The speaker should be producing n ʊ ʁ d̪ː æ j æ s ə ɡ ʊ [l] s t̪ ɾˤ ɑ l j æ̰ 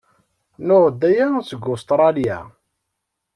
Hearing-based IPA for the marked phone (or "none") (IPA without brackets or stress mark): none